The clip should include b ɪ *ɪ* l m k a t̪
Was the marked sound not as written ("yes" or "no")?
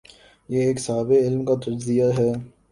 no